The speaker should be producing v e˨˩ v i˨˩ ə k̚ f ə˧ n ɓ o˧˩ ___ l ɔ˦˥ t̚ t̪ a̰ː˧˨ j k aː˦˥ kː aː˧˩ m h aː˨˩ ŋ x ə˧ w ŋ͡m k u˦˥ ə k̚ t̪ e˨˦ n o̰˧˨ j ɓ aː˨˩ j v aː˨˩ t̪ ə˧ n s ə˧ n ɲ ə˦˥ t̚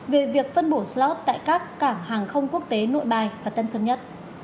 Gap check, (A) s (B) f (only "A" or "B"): A